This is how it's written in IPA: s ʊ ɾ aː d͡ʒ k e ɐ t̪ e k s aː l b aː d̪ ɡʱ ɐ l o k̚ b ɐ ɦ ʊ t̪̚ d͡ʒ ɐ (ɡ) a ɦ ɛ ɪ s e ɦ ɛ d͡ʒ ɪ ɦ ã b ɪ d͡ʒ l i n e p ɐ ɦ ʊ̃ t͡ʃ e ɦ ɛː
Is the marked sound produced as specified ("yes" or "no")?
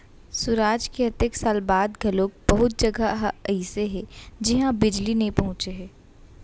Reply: yes